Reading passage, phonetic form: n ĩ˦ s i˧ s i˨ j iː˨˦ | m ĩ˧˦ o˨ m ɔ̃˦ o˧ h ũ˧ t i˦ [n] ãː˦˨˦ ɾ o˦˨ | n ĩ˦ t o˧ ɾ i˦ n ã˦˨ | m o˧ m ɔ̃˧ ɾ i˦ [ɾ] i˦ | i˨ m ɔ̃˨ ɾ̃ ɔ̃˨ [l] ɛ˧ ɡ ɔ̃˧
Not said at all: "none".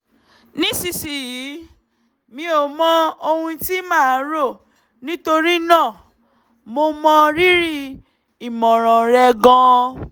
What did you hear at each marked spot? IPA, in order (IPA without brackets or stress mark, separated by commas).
m, ɾ, ɾ